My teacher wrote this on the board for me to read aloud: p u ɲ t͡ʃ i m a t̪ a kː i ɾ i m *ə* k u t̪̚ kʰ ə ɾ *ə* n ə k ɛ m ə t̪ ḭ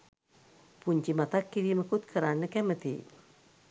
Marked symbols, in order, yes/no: yes, no

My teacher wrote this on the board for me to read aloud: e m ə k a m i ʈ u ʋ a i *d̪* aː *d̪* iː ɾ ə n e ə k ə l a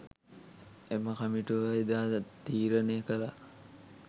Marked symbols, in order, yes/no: yes, no

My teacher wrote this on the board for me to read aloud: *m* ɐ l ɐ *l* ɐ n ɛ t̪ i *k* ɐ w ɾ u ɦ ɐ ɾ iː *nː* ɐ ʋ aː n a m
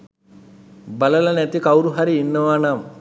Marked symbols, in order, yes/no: no, yes, yes, yes

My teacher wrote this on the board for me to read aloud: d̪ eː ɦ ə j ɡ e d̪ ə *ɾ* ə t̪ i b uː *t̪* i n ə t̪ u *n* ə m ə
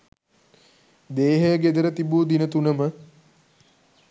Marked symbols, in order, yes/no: yes, no, yes

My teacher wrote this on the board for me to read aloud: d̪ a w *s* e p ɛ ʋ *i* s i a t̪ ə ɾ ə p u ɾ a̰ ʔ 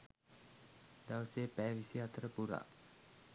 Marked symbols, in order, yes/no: yes, yes

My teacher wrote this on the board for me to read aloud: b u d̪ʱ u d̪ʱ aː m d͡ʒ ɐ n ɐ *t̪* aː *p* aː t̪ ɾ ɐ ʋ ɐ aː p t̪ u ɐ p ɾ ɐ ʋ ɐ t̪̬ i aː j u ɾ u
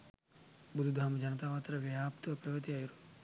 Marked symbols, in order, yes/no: yes, yes

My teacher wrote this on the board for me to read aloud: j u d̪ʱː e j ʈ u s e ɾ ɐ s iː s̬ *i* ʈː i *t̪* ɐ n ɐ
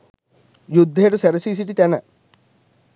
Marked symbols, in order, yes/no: yes, yes

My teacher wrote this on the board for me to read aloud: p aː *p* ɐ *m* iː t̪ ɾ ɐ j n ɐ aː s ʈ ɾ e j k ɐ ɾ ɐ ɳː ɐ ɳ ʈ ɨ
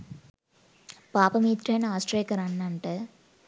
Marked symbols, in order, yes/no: yes, yes

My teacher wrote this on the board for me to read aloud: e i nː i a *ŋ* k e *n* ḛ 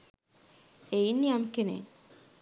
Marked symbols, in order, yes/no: no, yes

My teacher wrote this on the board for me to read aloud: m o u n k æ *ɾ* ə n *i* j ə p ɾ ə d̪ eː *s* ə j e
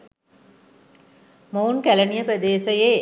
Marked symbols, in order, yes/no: no, yes, yes

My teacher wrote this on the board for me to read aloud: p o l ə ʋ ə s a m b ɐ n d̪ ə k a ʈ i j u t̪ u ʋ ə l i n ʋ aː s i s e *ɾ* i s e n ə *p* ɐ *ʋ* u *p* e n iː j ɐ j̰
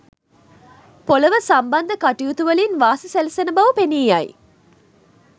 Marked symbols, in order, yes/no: no, no, yes, yes

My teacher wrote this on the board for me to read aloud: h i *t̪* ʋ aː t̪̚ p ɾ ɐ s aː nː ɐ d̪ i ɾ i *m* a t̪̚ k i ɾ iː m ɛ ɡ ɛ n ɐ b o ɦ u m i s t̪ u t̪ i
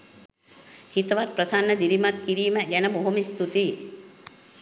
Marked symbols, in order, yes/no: yes, yes

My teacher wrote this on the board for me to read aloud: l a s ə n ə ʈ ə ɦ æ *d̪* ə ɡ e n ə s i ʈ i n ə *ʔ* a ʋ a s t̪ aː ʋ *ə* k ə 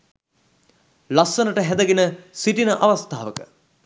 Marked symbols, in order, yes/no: yes, yes, yes

